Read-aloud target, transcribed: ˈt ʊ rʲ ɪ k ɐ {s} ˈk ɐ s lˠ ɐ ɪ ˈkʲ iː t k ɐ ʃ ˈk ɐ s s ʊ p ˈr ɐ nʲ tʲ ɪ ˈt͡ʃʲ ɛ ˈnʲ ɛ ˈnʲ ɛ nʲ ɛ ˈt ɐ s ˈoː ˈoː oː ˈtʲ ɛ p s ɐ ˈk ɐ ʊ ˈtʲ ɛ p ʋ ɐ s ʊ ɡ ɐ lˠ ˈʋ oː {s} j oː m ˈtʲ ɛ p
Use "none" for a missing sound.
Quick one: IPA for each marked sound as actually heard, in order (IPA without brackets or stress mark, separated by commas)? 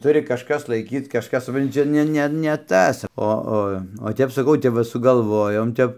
ʃ, none